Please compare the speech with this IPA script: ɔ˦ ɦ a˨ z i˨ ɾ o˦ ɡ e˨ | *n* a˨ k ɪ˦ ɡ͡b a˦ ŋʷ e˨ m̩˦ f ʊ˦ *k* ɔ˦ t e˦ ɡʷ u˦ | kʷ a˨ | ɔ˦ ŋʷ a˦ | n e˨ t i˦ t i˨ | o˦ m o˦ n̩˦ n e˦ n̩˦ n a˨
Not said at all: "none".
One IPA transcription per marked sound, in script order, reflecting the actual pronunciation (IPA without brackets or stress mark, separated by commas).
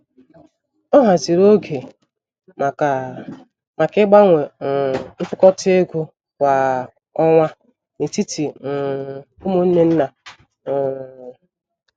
m, k